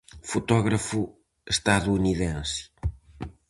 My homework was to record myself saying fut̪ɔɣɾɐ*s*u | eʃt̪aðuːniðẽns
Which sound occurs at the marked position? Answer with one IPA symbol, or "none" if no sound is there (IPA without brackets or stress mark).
f